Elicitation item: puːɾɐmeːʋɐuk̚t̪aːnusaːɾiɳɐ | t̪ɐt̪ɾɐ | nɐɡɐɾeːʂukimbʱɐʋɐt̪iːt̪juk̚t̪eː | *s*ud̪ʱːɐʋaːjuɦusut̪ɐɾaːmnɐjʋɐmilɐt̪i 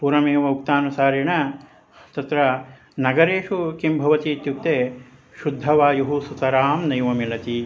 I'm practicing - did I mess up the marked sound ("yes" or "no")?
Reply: yes